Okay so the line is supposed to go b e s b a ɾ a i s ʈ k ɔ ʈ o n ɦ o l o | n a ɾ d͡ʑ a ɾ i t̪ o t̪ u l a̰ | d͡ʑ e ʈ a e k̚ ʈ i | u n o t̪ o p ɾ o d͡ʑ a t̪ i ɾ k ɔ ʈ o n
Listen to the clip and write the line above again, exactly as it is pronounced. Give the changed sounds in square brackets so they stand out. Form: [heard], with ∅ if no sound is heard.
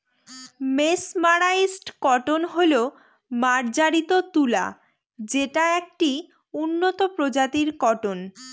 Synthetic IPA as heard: [m] e s [m] a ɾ a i s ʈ k ɔ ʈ o n ɦ o l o | [m] a ɾ d͡ʑ a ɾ i t̪ o t̪ u l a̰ | d͡ʑ e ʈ a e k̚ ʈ i | u [nː] o t̪ o p ɾ o d͡ʑ a t̪ i ɾ k ɔ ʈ o n

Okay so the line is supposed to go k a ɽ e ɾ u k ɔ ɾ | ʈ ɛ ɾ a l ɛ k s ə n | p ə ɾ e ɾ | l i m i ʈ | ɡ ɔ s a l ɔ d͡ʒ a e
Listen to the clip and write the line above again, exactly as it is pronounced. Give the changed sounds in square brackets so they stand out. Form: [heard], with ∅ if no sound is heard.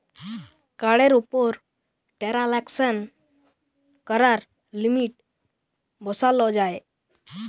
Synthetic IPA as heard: k a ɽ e ɾ u [p] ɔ ɾ | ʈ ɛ ɾ a l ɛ k s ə n | [k] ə ɾ [a] ɾ | l i m i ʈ | [b] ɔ s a l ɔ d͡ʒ a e

